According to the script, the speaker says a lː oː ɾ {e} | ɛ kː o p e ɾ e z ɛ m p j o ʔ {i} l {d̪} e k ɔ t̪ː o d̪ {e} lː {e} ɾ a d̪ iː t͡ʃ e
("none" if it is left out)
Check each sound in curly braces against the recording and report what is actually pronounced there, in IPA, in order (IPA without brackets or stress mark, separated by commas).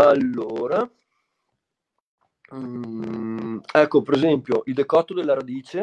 a, i, d̪, e, a